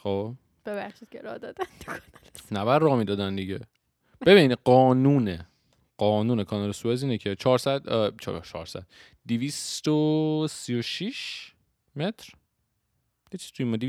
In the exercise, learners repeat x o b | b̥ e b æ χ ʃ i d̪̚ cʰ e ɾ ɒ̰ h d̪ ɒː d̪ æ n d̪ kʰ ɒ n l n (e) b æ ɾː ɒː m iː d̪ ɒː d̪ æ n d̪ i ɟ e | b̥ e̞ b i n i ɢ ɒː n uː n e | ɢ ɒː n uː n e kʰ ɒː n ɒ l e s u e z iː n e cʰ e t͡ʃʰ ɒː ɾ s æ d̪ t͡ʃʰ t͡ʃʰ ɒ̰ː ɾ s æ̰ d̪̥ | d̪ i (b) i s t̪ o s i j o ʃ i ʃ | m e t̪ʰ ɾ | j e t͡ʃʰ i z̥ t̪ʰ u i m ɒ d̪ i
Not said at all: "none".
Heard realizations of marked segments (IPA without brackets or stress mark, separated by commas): æ, v